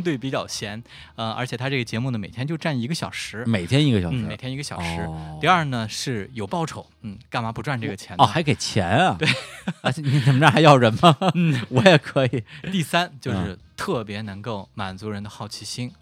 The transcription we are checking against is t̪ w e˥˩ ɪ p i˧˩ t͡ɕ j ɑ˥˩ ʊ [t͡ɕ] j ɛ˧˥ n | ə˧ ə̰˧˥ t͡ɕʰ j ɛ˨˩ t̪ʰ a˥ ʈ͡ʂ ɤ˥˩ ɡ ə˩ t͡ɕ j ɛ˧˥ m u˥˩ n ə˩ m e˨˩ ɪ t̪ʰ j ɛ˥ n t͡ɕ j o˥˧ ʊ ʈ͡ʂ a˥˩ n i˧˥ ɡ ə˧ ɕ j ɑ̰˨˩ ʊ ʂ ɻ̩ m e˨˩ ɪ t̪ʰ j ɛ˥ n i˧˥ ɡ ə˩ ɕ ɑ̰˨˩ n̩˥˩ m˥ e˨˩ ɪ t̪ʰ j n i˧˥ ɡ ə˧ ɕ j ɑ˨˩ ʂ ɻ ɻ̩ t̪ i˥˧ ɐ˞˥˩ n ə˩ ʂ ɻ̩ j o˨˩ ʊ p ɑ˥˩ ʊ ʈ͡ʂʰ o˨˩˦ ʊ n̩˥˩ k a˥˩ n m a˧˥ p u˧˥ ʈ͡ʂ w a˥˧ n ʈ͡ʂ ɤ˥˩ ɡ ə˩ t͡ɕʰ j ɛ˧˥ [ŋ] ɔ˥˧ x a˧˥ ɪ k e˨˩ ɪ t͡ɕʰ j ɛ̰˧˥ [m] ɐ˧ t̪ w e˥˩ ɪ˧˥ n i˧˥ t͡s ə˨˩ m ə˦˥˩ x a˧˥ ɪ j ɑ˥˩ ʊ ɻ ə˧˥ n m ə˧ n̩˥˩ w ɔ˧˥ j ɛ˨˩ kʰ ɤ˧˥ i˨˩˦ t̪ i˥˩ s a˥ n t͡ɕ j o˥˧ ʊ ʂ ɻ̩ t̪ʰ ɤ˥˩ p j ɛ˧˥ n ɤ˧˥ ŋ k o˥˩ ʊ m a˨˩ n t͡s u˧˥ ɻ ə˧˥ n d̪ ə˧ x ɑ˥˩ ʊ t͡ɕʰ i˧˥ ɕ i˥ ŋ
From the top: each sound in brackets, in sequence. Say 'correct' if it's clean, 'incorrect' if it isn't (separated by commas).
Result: incorrect, incorrect, incorrect